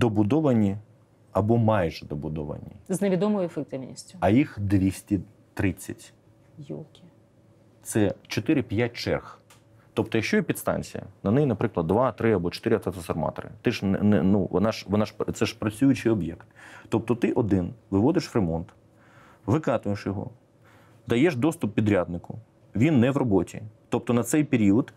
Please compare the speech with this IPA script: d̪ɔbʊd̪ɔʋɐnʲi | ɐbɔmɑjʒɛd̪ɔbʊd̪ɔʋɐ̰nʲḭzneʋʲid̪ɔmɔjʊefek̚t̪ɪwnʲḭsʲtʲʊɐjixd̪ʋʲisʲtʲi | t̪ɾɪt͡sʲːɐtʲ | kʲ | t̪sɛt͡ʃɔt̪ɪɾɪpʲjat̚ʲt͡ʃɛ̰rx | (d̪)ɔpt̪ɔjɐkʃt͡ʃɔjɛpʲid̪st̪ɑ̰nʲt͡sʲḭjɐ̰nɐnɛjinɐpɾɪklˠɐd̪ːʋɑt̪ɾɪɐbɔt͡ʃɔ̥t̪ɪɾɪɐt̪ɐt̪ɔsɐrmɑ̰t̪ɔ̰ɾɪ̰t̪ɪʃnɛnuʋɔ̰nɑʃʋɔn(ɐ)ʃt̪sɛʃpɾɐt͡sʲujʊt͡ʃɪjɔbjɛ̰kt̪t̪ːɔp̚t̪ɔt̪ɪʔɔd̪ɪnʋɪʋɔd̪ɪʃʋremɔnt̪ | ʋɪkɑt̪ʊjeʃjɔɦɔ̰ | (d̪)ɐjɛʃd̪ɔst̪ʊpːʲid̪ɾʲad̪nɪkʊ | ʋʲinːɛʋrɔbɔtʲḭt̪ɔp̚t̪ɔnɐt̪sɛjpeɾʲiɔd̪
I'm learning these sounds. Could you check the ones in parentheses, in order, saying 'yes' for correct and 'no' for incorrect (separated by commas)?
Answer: no, no, yes